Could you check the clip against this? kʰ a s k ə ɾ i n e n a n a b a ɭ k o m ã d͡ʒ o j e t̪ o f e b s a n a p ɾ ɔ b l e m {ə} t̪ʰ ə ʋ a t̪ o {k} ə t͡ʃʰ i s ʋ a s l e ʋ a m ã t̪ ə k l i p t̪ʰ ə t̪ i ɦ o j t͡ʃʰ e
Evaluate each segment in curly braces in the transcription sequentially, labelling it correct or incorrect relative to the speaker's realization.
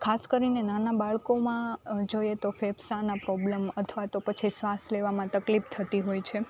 correct, incorrect

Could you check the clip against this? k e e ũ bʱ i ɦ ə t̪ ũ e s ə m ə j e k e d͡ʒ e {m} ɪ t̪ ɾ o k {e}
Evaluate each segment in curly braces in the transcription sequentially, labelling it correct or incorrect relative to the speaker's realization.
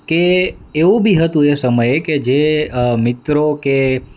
correct, correct

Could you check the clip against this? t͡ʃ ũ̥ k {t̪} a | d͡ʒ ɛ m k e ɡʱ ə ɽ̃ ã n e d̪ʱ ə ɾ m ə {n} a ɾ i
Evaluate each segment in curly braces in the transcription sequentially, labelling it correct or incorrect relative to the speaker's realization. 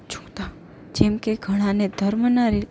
correct, correct

